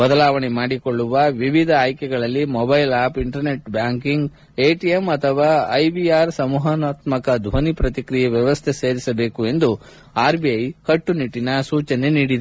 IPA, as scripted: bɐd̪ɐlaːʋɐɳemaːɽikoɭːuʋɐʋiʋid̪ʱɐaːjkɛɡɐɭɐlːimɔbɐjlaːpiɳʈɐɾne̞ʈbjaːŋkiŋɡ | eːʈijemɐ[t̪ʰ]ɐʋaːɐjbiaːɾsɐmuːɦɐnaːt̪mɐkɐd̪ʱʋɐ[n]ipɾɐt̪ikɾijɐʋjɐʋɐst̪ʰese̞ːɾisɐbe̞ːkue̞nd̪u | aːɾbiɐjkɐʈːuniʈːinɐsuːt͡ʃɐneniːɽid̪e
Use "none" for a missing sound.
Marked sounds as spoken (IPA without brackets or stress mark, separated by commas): t̪ʰ, n